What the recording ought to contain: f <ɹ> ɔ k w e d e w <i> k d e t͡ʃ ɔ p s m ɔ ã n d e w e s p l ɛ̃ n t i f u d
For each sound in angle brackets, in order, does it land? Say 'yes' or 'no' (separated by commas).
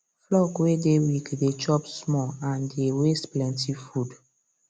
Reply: no, yes